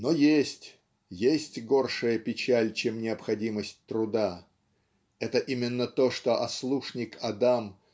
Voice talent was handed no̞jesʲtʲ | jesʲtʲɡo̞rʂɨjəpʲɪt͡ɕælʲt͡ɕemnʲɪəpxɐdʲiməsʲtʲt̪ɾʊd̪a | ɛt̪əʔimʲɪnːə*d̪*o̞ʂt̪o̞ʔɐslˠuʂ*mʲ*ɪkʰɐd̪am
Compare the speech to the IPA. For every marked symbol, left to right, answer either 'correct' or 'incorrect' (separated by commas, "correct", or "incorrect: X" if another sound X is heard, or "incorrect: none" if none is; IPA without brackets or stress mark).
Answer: incorrect: t̪, incorrect: nʲ